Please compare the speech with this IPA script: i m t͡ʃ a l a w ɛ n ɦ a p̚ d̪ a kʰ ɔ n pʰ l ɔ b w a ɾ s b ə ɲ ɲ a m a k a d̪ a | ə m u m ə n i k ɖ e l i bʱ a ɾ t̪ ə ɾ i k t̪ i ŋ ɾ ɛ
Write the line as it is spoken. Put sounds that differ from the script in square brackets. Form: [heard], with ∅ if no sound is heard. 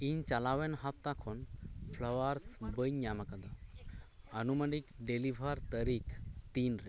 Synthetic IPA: i [ɲ] t͡ʃ a l a w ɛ n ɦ a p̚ [t̪] a kʰ ɔ n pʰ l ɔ [∅] w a ɾ s b ə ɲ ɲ a m a k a d̪ a | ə [n] u m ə n i k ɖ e l i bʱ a ɾ t̪ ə ɾ i k t̪ i [n] ɾ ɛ